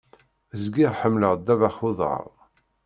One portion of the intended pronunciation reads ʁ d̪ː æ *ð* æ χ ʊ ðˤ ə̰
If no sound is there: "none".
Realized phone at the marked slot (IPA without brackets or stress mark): v